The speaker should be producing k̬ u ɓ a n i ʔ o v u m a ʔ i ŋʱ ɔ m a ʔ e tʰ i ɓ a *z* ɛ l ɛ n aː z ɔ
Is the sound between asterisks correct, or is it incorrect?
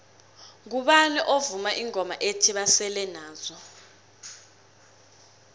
incorrect